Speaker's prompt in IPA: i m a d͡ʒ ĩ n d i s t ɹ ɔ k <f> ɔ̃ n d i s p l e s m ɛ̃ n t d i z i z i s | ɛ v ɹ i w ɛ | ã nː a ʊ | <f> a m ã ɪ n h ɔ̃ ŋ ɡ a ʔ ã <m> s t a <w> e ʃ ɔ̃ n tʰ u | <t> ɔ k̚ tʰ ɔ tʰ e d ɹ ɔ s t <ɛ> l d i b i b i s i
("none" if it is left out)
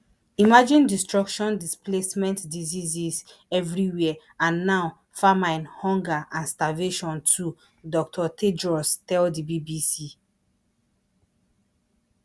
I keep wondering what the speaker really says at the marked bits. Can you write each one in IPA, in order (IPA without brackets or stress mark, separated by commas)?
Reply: ʃ, f, n, v, d, ɛ